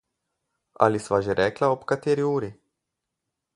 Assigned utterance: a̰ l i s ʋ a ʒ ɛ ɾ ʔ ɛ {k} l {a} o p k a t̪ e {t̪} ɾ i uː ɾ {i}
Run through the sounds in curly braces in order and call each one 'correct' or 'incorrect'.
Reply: correct, correct, incorrect: none, correct

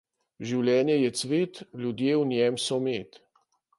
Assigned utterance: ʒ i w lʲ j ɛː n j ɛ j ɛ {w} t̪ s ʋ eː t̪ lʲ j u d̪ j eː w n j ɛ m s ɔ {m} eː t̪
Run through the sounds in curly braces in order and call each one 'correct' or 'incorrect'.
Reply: incorrect: none, correct

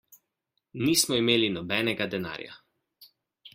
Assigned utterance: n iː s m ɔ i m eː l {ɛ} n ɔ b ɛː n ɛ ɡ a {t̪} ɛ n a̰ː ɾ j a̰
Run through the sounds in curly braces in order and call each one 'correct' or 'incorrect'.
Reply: incorrect: i, incorrect: d̪

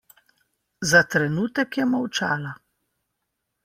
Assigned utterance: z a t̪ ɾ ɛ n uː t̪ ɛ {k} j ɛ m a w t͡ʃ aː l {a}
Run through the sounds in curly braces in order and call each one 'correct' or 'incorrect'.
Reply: correct, correct

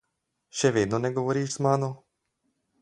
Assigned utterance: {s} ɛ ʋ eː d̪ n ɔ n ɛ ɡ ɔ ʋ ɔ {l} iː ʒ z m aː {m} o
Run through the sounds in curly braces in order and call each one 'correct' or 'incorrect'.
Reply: incorrect: ʃ, incorrect: ɾ, incorrect: n

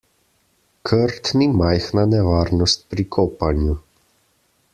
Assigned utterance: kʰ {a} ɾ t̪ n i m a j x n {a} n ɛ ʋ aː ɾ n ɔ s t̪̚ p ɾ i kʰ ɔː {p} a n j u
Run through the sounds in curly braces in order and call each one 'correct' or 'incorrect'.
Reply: incorrect: ə, correct, correct

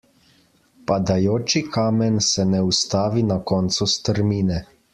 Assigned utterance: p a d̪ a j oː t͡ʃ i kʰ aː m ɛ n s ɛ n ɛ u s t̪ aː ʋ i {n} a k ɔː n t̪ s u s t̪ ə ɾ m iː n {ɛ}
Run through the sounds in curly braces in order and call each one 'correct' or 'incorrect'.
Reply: correct, correct

